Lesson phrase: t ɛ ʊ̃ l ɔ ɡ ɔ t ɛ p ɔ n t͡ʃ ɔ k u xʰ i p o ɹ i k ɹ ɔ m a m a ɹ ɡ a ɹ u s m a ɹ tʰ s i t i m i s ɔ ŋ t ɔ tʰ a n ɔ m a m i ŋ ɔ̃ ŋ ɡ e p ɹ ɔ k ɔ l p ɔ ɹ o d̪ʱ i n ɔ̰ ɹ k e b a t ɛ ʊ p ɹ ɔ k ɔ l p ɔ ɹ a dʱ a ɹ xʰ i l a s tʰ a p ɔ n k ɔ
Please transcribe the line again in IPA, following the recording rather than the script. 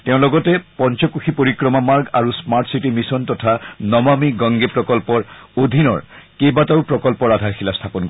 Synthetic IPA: t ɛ ʊ̃ l ɔ ɡ ɔ t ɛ p ɔ n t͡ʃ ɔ k u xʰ i p o ɹ i k ɹ ɔ m a m a ɹ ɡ a ɹ u s m a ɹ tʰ s i t i m i s ɔ n t ɔ tʰ a n ɔ m a m i ɡ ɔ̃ ŋ ɡ e p ɹ ɔ k ɔ l p ɔ ɹ o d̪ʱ i n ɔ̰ ɹ k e b a t a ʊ p ɹ ɔ k ɔ l p ɔ ɹ a dʱ a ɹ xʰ i l a s tʰ a p ɔ n k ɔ